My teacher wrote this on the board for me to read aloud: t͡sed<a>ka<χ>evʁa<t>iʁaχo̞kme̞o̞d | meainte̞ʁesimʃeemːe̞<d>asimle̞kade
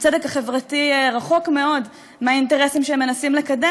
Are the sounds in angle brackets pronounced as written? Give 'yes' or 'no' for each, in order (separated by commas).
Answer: no, yes, yes, no